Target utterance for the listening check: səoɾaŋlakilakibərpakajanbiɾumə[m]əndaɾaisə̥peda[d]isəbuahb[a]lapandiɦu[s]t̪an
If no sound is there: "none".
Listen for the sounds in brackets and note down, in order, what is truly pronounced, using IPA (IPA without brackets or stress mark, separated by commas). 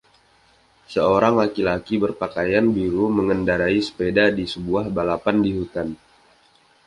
ŋ, d, a, none